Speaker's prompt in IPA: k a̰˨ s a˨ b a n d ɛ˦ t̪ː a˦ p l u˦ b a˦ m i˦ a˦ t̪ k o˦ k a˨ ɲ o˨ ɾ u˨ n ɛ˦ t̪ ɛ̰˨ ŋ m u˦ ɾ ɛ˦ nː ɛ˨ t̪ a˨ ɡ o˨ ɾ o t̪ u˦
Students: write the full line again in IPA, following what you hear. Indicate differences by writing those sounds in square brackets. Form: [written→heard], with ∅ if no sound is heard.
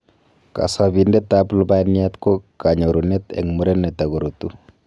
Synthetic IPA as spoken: k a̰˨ s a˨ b [a→i] n d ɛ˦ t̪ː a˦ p l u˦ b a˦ [m→n] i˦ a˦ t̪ k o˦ k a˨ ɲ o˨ ɾ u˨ n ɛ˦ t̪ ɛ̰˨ ŋ m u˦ ɾ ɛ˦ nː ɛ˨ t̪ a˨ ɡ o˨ ɾ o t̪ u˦